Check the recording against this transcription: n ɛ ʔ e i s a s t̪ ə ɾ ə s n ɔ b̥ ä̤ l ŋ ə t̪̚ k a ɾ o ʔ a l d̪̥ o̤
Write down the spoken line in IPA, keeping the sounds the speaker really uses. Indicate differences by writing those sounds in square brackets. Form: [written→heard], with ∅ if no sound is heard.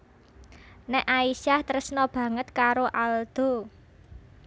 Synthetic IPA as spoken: n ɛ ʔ [e→a] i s a [s→h] t̪ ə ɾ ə s n ɔ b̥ ä̤ [l→∅] ŋ ə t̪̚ k a ɾ o ʔ a l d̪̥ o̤